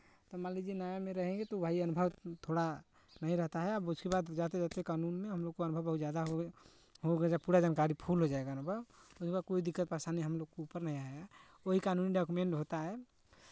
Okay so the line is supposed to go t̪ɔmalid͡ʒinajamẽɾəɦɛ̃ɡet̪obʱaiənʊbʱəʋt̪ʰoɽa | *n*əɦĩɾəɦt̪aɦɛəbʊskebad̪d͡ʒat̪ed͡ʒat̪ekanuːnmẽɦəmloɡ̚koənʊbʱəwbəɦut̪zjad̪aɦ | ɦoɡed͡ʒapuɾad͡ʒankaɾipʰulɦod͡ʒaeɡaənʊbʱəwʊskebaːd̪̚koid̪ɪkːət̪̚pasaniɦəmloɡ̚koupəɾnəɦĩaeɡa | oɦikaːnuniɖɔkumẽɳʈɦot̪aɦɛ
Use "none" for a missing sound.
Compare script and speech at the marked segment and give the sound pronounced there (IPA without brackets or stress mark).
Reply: n